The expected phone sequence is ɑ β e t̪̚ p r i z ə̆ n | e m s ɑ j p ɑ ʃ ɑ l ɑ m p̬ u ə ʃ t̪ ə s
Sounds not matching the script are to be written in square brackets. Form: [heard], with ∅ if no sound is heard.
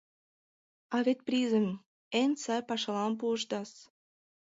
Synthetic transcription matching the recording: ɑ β e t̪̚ p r i z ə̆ [m] | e [n] s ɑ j p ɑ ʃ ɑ l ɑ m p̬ u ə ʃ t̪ [ɑ] s